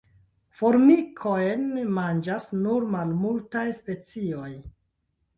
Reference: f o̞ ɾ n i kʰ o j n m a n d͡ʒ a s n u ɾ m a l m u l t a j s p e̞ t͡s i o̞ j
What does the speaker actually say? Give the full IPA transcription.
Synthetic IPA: f o̞ ɾ m i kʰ o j n m a n d͡ʒ a s n u ɾ m a l m u l t a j s p e̞ t͡s i o̞ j